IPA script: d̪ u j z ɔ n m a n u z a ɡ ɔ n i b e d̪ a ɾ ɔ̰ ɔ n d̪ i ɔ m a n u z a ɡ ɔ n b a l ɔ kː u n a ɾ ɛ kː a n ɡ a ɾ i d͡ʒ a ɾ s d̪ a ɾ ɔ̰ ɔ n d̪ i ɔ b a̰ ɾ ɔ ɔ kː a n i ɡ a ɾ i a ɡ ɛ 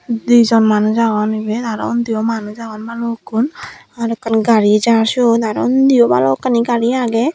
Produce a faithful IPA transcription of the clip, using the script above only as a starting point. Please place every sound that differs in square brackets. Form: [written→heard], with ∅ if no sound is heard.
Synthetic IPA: d̪ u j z ɔ n m a n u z a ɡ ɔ n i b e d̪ a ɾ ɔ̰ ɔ n d̪ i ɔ m a n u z a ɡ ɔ n b a l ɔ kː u n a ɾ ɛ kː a n ɡ a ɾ i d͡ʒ a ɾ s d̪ a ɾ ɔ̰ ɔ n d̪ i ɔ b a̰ [ɾ→l] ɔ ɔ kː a n i ɡ a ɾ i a ɡ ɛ